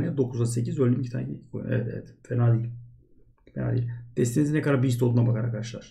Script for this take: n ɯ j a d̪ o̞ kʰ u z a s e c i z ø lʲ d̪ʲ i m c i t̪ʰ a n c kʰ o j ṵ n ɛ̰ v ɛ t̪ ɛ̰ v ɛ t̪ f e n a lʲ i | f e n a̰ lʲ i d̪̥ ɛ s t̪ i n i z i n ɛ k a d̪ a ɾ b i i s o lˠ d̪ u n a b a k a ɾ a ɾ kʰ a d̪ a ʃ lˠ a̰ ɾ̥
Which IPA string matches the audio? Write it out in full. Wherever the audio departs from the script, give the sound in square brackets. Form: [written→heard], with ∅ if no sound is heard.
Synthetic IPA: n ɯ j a d̪ o̞ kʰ u z a s e c i z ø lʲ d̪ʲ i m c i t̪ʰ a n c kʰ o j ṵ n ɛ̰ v ɛ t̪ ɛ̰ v ɛ t̪ f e n a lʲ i | f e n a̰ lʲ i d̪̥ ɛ s t̪ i n i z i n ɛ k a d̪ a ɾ b i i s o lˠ d̪ u n a b a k a ɾ a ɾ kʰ a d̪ a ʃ lˠ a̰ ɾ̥